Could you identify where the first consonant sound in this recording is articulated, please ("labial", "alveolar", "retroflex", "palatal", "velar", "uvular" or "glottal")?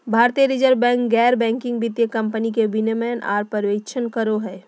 labial